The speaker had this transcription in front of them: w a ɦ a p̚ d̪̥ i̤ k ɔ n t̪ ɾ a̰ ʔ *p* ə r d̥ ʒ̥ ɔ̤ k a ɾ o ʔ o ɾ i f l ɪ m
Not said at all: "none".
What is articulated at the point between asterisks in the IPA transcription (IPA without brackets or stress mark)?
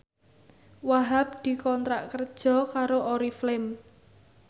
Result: k